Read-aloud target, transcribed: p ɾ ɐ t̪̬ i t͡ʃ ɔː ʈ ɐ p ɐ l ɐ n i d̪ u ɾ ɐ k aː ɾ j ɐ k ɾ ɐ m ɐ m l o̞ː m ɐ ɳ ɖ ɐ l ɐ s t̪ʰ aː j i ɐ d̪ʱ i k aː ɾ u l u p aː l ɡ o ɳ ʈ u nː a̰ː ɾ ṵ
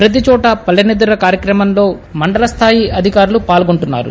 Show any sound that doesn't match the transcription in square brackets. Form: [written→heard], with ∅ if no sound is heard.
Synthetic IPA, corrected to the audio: p ɾ ɐ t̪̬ i t͡ʃ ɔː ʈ ɐ p ɐ l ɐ n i d̪ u ɾ ɐ k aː ɾ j ɐ k ɾ ɐ m ɐ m l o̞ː m ɐ ɳ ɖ ɐ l ɐ s t̪ʰ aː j i ɐ d̪ʱ i k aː ɾ u l u p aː l ɡ o ɳ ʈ u nː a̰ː ɾ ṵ